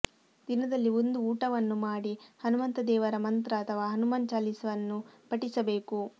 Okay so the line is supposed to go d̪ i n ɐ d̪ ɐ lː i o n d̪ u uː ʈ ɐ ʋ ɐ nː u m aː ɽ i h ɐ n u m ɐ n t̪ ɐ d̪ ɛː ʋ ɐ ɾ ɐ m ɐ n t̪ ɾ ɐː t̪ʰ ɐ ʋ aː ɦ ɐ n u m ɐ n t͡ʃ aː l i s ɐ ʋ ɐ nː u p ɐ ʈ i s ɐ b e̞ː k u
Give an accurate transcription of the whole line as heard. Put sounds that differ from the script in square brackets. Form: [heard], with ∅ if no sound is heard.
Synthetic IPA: d̪ i n ɐ d̪ ɐ lː i o n d̪ u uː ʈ ɐ ʋ ɐ nː u m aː ɽ i h ɐ n u m ɐ n t̪ ɐ d̪ ɛː ʋ ɐ ɾ ɐ m ɐ n t̪ ɾ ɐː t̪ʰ ɐ ʋ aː ɦ ɐ n u m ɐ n t͡ʃ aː l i s ɐ ʋ ɐ nː u p ɐ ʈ i s ɐ b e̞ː k u